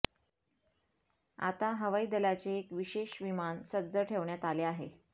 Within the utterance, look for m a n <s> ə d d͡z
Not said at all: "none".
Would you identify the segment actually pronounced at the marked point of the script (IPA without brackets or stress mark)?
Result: s